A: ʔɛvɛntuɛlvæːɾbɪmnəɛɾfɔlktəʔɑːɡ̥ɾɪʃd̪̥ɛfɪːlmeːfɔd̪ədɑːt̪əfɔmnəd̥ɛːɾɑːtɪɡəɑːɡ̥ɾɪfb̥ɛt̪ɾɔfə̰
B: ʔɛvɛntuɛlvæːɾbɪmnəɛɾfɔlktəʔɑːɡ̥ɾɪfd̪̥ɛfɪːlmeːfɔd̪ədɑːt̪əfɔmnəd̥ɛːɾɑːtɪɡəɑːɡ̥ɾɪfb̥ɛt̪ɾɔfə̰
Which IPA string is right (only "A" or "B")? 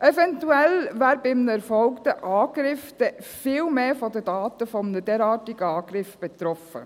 B